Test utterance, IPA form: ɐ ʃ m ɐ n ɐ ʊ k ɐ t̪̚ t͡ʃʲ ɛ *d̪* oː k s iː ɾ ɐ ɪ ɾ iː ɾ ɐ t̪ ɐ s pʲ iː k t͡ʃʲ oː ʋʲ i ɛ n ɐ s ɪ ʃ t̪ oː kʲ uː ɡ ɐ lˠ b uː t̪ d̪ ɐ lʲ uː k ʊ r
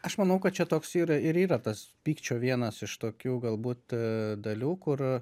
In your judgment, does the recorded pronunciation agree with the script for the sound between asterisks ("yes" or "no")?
no